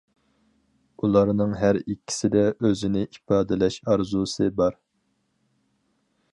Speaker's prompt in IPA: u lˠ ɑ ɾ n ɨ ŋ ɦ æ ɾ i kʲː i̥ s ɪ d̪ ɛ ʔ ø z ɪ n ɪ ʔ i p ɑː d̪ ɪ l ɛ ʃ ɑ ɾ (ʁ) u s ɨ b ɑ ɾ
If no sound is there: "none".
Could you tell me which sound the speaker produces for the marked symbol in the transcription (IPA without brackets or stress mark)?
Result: z